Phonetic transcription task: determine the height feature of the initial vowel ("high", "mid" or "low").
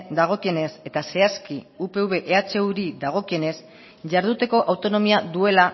low